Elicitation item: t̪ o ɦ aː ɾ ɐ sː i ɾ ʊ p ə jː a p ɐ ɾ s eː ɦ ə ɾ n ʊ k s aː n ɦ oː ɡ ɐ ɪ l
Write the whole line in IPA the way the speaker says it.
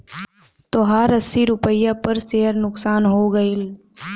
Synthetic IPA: t̪ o ɦ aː ɾ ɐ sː i ɾ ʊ p ə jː a p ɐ ɾ s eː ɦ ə ɾ n ʊ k s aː n ɦ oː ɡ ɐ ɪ l